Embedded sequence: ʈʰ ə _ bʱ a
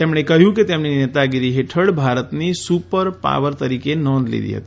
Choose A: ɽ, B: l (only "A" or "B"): A